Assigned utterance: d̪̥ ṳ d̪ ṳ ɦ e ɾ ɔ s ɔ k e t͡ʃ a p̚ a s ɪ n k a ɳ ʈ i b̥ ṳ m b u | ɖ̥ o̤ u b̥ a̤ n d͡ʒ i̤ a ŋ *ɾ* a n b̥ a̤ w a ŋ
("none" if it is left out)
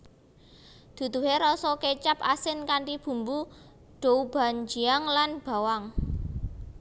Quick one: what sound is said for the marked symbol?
l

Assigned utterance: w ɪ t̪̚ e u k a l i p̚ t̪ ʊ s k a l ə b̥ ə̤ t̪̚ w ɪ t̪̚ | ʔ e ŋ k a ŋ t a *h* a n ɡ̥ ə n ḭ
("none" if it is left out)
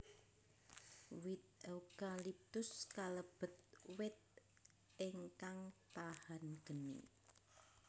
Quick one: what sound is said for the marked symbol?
h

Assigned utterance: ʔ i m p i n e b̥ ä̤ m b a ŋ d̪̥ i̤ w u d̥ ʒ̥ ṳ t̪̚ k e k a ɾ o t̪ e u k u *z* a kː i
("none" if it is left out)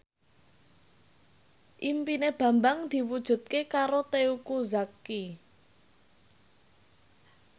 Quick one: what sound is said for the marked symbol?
z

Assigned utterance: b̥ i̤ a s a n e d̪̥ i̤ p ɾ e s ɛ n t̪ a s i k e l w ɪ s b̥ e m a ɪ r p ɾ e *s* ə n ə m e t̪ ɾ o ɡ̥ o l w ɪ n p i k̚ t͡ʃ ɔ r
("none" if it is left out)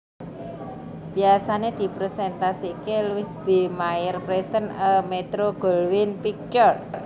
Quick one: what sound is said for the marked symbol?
s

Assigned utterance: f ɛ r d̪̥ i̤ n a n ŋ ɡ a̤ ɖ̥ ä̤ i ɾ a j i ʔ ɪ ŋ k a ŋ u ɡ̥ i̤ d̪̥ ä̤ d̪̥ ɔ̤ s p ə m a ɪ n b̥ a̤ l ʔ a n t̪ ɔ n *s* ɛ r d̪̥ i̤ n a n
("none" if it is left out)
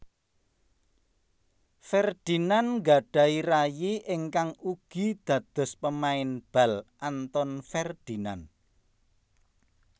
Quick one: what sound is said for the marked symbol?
f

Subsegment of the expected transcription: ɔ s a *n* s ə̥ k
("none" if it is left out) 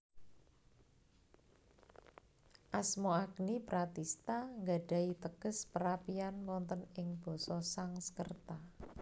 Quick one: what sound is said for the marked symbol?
ŋ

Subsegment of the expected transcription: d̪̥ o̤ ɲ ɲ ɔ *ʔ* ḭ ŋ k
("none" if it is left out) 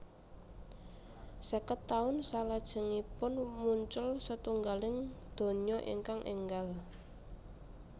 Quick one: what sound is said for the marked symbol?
ʔ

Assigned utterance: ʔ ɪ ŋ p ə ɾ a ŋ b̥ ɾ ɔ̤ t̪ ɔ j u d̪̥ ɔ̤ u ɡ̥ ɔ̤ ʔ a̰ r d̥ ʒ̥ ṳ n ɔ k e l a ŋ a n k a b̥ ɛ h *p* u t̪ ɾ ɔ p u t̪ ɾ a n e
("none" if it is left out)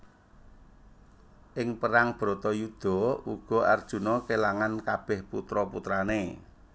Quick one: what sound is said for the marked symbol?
p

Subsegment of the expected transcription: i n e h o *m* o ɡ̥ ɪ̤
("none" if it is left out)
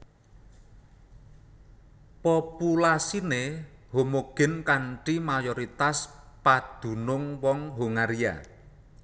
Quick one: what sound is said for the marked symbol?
m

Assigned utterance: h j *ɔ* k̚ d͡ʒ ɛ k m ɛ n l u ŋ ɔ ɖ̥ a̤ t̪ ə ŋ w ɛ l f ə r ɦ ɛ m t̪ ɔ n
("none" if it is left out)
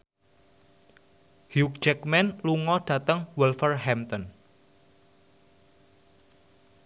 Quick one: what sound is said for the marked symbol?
u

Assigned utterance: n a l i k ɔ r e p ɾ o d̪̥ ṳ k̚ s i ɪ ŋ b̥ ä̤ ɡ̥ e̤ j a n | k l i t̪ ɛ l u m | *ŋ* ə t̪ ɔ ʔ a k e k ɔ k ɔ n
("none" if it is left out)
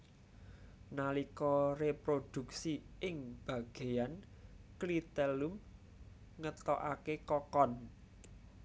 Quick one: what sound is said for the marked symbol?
ŋ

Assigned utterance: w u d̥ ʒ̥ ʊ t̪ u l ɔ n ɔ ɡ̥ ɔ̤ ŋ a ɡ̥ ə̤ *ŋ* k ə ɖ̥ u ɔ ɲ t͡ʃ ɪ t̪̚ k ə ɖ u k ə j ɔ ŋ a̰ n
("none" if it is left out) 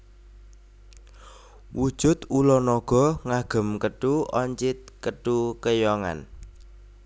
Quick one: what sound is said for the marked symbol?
m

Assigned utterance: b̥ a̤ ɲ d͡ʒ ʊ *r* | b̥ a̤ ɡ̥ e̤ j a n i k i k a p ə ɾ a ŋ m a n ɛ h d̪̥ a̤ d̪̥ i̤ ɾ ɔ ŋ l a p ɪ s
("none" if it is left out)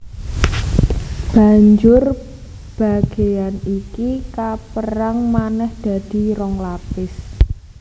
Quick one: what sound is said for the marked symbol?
r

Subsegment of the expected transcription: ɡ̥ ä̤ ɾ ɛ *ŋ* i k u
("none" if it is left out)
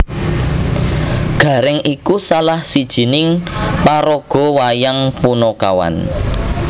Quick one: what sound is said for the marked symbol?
ŋ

